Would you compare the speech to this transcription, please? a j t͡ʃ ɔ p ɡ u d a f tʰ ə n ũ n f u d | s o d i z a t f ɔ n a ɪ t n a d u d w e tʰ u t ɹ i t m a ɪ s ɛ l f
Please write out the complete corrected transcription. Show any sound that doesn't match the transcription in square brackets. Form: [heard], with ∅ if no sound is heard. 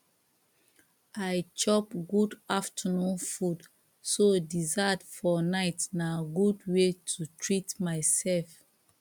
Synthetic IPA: a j t͡ʃ ɔ p ɡ u d a f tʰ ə n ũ n f u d | s o d i z a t f ɔ n a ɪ t n a [ɡ] u d w e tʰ u t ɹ i t m a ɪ s ɛ l f

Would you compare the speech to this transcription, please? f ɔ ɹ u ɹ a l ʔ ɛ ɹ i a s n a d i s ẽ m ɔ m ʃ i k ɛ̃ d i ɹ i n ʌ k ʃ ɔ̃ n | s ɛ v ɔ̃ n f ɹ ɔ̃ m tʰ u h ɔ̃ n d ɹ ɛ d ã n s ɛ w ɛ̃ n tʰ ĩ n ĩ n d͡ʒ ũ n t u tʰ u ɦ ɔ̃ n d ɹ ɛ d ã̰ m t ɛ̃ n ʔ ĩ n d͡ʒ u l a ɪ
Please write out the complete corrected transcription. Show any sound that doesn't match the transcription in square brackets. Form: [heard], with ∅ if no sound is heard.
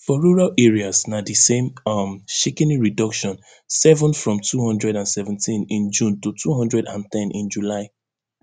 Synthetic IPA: f ɔ ɹ u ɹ a l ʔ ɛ ɹ i a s n a d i s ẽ m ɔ m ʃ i k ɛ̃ [n] i ɹ i [d] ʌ k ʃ ɔ̃ n | s ɛ v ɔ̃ n f ɹ ɔ̃ m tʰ u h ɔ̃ n d ɹ ɛ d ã n s ɛ [v] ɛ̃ n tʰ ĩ n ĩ n d͡ʒ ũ n t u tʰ u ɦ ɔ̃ n d ɹ ɛ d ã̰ [n] t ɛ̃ n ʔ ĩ n d͡ʒ u l a ɪ

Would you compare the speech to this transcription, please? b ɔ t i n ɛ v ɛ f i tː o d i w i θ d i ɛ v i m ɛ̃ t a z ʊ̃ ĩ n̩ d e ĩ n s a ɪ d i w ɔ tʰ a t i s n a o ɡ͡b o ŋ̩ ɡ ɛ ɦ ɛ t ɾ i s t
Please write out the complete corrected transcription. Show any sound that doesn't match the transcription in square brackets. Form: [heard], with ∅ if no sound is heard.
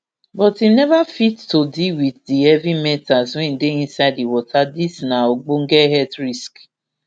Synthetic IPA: b ɔ t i n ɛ v [a] f i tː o d i w i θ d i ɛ v i m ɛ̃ t a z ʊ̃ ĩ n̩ d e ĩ n s a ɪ d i w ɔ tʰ a [d] i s n a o ɡ͡b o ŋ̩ ɡ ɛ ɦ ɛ t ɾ i s [k]

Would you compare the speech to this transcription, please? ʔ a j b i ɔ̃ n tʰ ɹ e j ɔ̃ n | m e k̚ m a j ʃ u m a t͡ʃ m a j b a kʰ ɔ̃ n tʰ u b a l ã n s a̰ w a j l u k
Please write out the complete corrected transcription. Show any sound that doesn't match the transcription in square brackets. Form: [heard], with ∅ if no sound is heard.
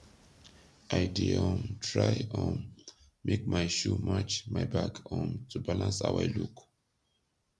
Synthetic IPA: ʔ a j [d] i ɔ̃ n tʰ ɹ [a] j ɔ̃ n | m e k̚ m a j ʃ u m a t͡ʃ m a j b a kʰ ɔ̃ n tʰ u b a l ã n s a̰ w a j l u k

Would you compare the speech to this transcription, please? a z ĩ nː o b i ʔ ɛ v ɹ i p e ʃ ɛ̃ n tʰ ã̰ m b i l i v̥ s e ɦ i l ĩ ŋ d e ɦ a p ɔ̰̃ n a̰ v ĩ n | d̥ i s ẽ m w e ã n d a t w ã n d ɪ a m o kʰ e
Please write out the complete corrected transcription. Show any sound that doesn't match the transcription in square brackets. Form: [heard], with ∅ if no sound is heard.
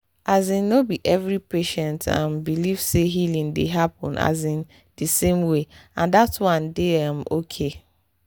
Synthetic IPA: a z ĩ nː o b i ʔ ɛ v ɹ i p e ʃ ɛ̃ n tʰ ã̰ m b i l i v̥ s e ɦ i l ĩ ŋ d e ɦ a p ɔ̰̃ n a̰ [z] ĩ n | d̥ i s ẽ m w e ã n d a t w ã n d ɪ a m o kʰ e

